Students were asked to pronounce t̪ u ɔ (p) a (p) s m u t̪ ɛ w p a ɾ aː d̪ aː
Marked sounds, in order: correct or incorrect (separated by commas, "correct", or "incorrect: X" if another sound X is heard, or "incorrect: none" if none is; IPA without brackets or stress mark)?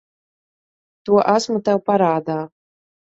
incorrect: ʔ, incorrect: none